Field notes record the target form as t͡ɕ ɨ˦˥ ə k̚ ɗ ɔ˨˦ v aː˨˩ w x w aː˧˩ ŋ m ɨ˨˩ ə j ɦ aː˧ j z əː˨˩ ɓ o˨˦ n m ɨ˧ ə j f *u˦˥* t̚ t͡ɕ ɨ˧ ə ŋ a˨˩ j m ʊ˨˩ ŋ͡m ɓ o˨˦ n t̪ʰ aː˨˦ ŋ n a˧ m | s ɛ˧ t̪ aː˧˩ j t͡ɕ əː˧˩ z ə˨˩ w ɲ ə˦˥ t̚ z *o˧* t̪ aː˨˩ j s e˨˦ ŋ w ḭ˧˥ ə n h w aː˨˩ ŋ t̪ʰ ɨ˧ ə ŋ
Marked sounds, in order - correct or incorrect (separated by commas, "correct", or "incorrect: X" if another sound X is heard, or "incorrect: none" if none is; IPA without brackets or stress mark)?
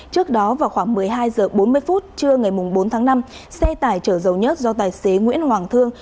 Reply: correct, incorrect: ɔ˧